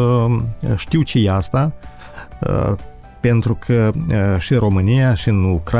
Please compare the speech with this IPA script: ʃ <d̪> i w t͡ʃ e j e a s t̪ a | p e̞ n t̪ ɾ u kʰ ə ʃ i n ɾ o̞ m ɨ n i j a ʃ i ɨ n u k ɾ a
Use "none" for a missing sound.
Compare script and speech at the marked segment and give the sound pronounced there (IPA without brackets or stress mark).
t̪